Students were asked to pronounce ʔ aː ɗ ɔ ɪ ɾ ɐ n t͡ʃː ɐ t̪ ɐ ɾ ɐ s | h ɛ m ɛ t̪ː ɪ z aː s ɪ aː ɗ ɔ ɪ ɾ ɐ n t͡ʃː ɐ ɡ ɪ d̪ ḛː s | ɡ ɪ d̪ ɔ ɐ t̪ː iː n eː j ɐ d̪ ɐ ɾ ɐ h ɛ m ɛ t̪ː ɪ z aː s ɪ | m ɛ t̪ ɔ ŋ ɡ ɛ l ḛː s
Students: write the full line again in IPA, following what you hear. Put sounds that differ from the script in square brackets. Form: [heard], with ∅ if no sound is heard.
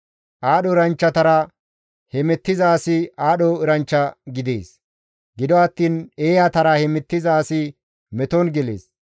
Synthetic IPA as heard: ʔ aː ɗ ɔ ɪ ɾ ɐ n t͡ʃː ɐ t̪ ɐ ɾ ɐ [∅] | h ɛ m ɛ t̪ː ɪ z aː s ɪ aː ɗ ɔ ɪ ɾ ɐ n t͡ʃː ɐ ɡ ɪ d̪ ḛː s | ɡ ɪ d̪ ɔ ɐ t̪ː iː n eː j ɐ [t̪] ɐ ɾ ɐ h ɛ m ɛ t̪ː ɪ z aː s ɪ | m ɛ t̪ ɔ [n] ɡ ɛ l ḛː s